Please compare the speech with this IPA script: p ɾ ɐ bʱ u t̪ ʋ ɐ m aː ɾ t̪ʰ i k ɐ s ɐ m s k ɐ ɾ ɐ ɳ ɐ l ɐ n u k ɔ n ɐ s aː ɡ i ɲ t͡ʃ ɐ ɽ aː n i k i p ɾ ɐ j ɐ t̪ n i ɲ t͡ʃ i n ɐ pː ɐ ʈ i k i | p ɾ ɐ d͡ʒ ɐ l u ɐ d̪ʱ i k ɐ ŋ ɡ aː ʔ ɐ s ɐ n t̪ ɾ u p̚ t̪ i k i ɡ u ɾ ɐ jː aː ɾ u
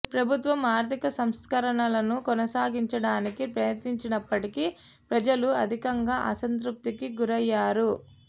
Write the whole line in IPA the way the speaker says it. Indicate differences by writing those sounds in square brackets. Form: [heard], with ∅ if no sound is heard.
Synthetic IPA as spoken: p ɾ ɐ bʱ u t̪ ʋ ɐ m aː ɾ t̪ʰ i k ɐ s ɐ m s k ɐ ɾ ɐ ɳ ɐ l ɐ n u k ɔ n ɐ s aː ɡ i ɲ t͡ʃ ɐ ɽ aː n i k i p ɾ ɐ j ɐ t̪ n i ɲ t͡ʃ i n ɐ pː ɐ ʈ i k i | p ɾ ɐ d͡ʒ ɐ l u ɐ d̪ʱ i k ɐ ŋ ɡ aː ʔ ɐ s ɐ n t̪ ɾ u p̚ t̪ i k i ɡ u ɾ ɐ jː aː ɾ u